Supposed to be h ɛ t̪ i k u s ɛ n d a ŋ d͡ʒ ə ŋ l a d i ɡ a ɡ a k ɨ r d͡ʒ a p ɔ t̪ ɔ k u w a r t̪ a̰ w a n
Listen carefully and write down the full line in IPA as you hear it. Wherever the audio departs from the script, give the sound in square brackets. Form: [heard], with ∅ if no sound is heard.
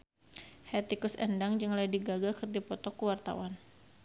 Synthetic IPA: h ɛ t̪ i k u s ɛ n d a ŋ d͡ʒ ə ŋ l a d i ɡ a ɡ a k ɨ r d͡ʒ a p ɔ t̪ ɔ k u w a r t̪ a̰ w a n